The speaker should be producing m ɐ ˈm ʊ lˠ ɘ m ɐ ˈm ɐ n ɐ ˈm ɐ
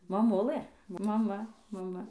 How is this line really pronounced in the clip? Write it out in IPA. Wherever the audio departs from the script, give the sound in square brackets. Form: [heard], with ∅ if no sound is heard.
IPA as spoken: m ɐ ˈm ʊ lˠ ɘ m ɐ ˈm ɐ [m] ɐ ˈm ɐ